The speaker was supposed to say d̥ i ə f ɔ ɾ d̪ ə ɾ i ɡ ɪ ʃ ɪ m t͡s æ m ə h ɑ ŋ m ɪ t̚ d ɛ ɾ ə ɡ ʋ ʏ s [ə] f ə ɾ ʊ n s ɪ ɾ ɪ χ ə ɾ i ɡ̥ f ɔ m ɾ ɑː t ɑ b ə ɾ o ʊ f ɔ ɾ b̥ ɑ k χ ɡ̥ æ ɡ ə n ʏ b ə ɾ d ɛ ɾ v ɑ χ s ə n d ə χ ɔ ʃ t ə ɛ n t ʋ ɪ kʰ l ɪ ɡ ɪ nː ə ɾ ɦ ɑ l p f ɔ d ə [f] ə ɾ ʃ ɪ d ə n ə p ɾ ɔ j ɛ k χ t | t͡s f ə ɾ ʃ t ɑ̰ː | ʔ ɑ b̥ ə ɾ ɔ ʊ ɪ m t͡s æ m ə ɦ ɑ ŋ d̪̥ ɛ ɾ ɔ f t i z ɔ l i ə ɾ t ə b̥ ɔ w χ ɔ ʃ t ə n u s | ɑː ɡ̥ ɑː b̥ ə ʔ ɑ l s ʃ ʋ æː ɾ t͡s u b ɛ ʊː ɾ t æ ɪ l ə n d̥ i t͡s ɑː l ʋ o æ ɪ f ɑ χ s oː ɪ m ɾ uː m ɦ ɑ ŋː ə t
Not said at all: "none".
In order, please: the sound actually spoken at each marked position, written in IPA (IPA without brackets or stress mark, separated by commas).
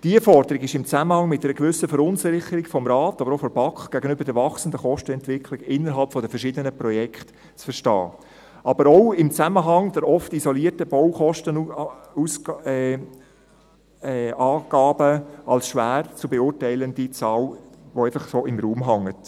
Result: ə, f